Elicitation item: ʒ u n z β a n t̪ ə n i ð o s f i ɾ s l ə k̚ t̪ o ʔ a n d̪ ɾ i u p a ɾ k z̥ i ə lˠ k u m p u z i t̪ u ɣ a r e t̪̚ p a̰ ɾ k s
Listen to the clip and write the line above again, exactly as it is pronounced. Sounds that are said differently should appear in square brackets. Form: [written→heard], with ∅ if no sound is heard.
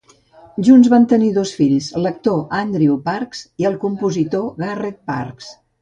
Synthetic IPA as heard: ʒ u n z β a n t̪ ə n i ð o s f i [ɾ→ʎ] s l ə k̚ t̪ o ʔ a n d̪ ɾ i u p a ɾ k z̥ i ə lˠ k u m p u z i t̪ [u→o] ɣ a r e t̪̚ p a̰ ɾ k s